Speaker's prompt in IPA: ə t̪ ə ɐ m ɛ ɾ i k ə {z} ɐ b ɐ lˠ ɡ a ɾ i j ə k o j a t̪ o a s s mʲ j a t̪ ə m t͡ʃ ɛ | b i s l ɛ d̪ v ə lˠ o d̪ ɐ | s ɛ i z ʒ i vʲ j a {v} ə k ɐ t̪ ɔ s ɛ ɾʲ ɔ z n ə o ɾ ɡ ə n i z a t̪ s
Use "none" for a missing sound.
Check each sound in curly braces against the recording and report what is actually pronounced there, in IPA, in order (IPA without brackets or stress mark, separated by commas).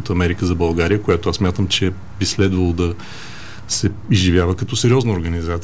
z, v